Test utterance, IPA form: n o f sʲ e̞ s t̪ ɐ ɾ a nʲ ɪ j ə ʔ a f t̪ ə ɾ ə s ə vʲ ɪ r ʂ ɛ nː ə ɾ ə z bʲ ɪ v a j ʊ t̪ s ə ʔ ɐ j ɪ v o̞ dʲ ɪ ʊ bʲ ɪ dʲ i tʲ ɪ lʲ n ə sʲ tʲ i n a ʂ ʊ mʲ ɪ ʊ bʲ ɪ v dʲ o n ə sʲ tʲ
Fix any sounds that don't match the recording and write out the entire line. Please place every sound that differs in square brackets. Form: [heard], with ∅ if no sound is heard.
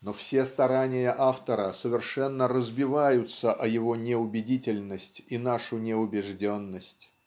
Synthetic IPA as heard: n o f sʲ e̞ s t̪ ɐ ɾ a nʲ ɪ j ə ʔ a f t̪ ə ɾ ə s ə vʲ ɪ r ʂ ɛ nː ə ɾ ə z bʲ ɪ v a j ʊ t̪ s ə ʔ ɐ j ɪ v o̞ [nʲ] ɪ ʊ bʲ ɪ dʲ i tʲ ɪ lʲ n ə sʲ tʲ i n a ʂ ʊ [nʲ] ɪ ʊ bʲ ɪ [ʐ] dʲ o [nː] ə sʲ tʲ

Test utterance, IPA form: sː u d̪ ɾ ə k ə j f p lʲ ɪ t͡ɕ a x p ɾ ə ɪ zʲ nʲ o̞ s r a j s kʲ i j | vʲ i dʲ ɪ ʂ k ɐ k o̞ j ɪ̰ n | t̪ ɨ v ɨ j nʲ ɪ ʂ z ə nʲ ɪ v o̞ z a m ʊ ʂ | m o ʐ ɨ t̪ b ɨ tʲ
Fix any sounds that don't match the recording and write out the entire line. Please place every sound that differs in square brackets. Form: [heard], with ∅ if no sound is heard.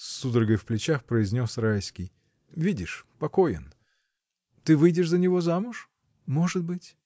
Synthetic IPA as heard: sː u d̪ ɾ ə [ɡ] ə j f p lʲ ɪ t͡ɕ a x p ɾ ə ɪ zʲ nʲ o̞ s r a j s kʲ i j | vʲ i dʲ ɪ ʂ [p] ɐ k o̞ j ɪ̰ n | t̪ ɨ v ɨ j [dʲ] ɪ ʂ z ə nʲ ɪ v o̞ z a m ʊ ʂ | m o ʐ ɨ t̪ b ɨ tʲ

